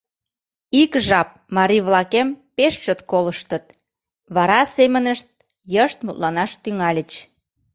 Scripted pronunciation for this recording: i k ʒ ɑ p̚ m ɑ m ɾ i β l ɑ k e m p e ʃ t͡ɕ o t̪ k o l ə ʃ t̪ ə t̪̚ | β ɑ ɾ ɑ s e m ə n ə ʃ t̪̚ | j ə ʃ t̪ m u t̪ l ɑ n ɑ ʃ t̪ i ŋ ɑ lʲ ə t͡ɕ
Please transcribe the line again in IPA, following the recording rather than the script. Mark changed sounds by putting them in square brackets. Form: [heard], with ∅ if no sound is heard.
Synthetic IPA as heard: i k ʒ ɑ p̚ m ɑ [∅] ɾ i β l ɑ k e m p e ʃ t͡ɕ o t̪ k o l ə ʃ t̪ ə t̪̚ | β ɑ ɾ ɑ s e m ə n ə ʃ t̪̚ | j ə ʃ t̪ m u t̪ l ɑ n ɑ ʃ t̪ [y] ŋ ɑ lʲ ə t͡ɕ

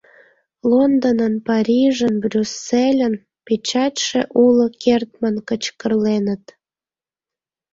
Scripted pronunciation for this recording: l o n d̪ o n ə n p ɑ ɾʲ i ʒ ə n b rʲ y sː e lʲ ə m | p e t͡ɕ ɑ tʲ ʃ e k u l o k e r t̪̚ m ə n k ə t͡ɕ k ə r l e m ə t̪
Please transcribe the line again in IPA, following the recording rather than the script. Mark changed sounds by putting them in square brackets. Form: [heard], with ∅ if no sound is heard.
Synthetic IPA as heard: l o n d̪ o n ə n p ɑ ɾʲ i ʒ ə n b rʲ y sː e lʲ ə [n] | p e t͡ɕ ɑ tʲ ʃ e [ʔ] u l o k e r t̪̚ m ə n k ə t͡ɕ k ə r l e [n] ə t̪

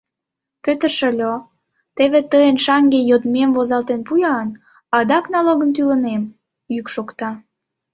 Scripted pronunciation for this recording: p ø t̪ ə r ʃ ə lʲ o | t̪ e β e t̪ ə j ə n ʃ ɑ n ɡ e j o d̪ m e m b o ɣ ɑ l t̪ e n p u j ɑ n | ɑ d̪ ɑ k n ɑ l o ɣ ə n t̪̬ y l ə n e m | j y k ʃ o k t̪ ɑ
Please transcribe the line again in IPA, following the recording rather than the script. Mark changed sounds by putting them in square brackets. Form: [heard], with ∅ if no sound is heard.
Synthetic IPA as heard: p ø t̪ ə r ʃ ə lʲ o | t̪ e β e t̪ ə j ə n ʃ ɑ [ŋ] ɡ e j o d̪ m e m [v] o [z] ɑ l t̪ e n p u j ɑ n | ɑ d̪ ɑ k n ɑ l o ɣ ə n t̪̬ y l ə n e m | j y k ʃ o k t̪ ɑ

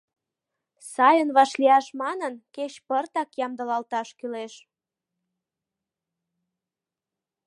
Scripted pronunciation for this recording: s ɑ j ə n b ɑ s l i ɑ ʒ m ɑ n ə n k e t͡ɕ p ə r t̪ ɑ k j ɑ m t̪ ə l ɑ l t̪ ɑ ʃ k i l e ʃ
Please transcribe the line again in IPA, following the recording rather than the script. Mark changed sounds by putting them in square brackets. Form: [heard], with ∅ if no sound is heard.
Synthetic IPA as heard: s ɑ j ə n [β] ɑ [ʃ] l i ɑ [ʃ] m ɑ n ə n k e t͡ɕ p ə r t̪ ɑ k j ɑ m [d̪] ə l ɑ l t̪ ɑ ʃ k [y] l e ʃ

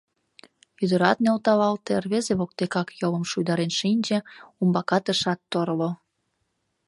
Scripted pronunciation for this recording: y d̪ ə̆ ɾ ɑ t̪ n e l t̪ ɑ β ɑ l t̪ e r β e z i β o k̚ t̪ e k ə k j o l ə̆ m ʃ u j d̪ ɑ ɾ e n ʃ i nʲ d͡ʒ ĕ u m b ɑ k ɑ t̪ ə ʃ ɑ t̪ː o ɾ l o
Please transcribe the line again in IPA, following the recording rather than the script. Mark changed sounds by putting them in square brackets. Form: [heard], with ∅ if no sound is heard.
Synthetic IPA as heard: y d̪ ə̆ ɾ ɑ t̪ n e l t̪ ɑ β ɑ l t̪ e r β e z [e] β o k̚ t̪ e k [ɑ] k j o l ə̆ m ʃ u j d̪ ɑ ɾ e n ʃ i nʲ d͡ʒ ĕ u m b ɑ k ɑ t̪ ə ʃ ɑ t̪ː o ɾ l o

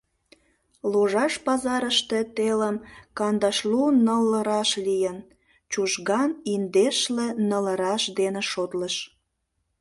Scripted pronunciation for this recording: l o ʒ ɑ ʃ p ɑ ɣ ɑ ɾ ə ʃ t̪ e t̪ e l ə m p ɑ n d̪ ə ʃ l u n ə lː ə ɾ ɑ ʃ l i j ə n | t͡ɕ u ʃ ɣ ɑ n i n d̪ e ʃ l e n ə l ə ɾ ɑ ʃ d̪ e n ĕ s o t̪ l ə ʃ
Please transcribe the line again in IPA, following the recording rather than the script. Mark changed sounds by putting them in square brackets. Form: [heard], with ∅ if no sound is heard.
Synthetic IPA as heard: l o ʒ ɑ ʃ p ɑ [z] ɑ ɾ ə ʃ t̪ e t̪ e l ə m [k] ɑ n d̪ [ɑ] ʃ l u n ə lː ə ɾ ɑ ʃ l i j ə n | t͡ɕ u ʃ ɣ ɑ n i n d̪ e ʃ l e n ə l ə ɾ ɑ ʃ d̪ e n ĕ [ʃ] o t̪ l ə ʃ

